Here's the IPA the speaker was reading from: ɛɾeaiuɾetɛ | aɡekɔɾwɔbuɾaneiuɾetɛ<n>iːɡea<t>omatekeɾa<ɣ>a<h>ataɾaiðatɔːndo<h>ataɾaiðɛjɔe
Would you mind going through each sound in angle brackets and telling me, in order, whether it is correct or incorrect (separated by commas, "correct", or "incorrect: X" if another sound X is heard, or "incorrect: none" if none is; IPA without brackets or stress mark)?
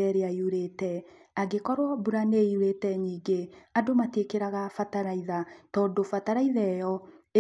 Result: incorrect: ɲ, incorrect: d, correct, incorrect: f, incorrect: f